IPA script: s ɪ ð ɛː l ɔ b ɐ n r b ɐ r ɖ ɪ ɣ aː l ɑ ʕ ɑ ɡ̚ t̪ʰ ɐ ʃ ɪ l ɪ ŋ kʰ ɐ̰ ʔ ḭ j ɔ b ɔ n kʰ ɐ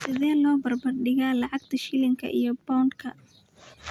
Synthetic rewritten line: s ɪ ð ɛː l ɔː b ɐ r b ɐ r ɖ ɪ ɣ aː l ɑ ʕ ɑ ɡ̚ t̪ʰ ɐ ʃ ɪ l ɪ ŋ kʰ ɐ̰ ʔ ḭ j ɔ b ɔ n kʰ ɐ